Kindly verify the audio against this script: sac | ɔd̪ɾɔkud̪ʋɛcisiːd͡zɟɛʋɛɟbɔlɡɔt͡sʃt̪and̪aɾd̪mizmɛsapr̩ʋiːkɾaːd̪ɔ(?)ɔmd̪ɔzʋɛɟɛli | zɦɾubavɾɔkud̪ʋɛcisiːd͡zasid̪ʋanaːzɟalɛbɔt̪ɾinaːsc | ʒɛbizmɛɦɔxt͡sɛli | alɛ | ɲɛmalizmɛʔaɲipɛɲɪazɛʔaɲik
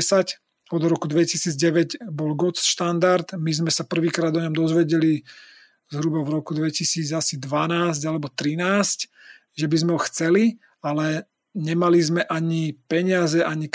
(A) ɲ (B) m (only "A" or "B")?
A